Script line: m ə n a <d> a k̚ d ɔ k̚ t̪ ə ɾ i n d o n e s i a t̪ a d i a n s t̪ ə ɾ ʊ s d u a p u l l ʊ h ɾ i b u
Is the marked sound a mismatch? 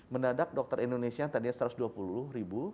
no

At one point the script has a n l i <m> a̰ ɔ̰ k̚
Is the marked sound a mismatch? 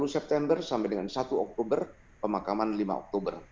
no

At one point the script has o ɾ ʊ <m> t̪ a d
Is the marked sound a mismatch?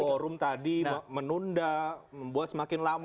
no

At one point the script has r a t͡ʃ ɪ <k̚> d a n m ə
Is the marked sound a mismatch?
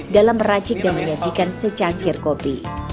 no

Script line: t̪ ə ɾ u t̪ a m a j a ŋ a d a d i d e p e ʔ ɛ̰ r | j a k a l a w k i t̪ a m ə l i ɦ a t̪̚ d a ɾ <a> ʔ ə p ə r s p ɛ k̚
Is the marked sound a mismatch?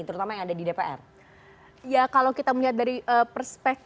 yes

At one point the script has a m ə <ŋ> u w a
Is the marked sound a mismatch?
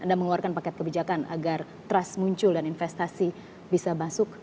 no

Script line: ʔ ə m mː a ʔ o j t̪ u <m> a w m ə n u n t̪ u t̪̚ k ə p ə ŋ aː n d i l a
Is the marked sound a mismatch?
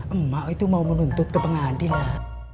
no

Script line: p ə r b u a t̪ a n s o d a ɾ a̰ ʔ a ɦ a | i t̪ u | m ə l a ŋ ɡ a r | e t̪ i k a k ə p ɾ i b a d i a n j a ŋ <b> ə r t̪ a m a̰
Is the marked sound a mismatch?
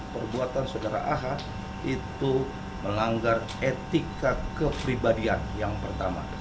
yes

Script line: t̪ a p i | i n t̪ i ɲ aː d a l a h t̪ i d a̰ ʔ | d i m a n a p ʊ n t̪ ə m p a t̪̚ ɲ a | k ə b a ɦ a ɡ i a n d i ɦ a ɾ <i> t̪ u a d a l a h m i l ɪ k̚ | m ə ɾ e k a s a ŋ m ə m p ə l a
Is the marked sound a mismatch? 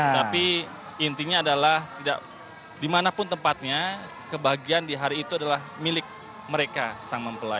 yes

